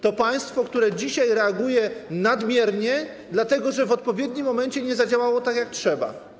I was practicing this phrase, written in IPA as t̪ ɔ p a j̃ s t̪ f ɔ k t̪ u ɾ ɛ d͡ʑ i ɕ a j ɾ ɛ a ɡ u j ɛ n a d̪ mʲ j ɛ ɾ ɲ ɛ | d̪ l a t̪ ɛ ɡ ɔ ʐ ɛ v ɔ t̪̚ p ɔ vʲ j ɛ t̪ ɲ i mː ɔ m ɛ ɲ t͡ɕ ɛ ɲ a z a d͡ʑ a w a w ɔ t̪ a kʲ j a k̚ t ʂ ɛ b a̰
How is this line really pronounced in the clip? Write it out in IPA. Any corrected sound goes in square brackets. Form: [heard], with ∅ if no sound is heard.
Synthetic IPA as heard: t̪ ɔ p a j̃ s t̪ f ɔ k t̪ u ɾ ɛ d͡ʑ i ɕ a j ɾ ɛ a ɡ u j ɛ n a d̪ mʲ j ɛ ɾ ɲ ɛ | d̪ l a t̪ ɛ ɡ ɔ ʐ ɛ v ɔ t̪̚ p ɔ vʲ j ɛ [d̪] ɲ i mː ɔ m ɛ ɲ t͡ɕ ɛ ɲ [ɛ] z a d͡ʑ a w a w ɔ t̪ a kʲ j a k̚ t ʂ ɛ b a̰